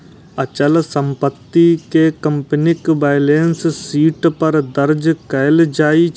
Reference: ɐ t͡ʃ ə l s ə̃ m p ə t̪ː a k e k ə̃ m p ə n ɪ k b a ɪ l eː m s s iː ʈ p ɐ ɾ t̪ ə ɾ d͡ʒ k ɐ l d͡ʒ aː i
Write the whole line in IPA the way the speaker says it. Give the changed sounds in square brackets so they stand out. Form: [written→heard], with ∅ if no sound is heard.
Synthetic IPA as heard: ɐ t͡ʃ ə l s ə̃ m p ə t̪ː [a→i] k e k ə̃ m p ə n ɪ k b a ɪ l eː [m→n] s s iː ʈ p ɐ ɾ [t̪→d̪] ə ɾ d͡ʒ k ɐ l d͡ʒ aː i